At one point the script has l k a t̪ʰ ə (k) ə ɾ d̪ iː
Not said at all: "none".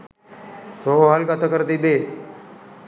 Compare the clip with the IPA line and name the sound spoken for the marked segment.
k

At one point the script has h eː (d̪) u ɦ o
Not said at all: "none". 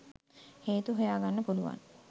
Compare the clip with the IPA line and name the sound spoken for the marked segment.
t̪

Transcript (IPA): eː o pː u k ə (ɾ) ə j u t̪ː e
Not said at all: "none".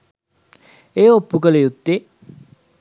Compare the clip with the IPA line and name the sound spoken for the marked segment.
l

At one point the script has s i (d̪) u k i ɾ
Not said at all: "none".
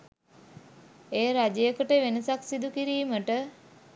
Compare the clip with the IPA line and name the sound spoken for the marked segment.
d̪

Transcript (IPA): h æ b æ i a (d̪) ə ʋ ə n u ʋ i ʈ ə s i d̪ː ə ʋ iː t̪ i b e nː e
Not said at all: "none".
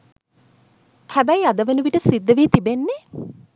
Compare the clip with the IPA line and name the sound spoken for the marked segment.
d̪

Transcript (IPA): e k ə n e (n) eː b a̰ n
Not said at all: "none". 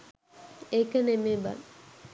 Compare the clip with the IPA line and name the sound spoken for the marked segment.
m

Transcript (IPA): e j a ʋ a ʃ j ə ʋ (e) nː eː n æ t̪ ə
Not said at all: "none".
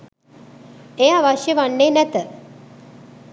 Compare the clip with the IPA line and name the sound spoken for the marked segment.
a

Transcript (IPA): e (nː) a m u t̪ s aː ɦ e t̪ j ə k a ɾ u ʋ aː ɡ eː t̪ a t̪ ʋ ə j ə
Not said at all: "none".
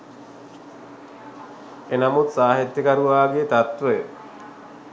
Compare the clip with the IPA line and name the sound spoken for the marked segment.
n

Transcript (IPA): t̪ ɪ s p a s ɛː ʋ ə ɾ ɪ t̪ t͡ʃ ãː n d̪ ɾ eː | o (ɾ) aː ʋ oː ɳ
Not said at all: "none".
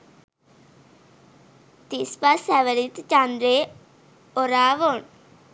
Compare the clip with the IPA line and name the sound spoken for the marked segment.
ɾ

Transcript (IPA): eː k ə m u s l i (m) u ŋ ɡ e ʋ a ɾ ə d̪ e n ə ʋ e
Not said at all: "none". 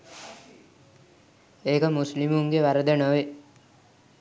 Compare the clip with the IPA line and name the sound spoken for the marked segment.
m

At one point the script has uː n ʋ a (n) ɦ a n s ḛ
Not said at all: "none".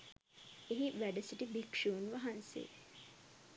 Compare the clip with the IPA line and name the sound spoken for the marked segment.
none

